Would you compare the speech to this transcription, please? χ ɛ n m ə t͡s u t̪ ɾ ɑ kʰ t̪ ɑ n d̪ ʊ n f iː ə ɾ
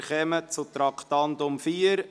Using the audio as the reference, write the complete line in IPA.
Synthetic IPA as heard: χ ɛ m ə t͡s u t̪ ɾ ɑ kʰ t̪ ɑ n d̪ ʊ m f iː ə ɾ